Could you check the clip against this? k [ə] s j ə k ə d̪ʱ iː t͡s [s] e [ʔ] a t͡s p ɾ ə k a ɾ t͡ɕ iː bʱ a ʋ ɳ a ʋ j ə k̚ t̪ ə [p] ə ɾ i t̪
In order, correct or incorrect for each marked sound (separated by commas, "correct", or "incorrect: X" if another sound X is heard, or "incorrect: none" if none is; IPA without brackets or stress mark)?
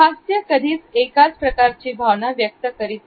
incorrect: a, incorrect: t͡s, incorrect: k, incorrect: k